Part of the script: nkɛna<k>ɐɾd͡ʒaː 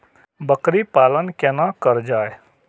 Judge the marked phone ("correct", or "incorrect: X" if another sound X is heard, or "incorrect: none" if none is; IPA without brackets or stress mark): correct